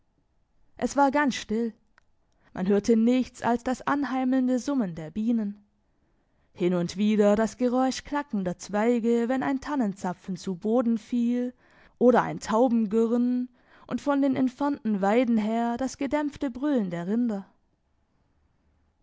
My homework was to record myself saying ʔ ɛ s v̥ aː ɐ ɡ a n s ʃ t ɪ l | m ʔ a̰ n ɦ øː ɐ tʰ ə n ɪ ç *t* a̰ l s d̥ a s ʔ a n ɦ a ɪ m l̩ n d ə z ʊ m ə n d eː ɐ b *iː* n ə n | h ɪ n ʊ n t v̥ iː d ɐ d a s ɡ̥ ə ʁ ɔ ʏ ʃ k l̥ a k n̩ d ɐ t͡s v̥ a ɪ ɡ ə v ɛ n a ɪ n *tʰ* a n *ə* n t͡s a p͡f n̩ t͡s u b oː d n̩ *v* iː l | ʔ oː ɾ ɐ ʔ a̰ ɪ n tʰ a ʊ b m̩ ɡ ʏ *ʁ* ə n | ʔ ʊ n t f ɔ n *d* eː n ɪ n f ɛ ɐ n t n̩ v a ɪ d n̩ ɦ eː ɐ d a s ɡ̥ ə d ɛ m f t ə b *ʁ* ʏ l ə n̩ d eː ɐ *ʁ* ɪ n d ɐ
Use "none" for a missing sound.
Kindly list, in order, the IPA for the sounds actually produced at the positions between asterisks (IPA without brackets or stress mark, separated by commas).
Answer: t͡s, iː, tʰ, ə, f, ʁ, d, ʁ, ʁ